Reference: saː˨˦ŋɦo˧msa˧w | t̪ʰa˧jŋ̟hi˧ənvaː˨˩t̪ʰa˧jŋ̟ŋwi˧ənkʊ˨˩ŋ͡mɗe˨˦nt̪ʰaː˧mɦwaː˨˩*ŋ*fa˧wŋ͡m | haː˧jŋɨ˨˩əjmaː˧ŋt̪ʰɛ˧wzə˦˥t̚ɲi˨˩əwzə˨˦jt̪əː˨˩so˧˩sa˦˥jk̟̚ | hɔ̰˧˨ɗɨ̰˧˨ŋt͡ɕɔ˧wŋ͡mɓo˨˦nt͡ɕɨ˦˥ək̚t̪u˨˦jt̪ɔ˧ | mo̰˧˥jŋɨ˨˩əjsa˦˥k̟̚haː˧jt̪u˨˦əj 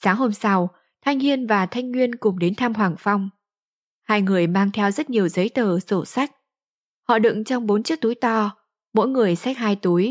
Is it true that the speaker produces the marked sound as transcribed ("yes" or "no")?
yes